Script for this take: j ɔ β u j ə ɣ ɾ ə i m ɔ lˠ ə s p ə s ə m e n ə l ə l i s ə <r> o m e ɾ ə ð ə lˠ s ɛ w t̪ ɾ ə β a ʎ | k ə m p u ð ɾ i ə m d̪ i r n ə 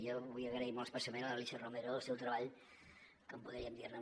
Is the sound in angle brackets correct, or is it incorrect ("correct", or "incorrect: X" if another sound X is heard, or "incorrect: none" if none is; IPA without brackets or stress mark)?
correct